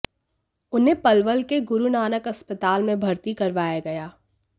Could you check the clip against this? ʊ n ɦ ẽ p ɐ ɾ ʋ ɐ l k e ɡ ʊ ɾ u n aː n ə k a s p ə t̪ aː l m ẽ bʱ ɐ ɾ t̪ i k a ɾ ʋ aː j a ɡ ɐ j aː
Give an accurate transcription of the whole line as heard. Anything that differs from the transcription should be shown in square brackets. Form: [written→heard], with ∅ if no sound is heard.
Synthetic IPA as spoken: ʊ n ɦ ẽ p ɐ [ɾ→l] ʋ [ɐ→ə] l k e ɡ ʊ ɾ u n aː n ə k [a→ɐ] s p ə t̪ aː l m ẽ bʱ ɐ ɾ t̪ i k [a→ɐ] ɾ ʋ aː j a ɡ ɐ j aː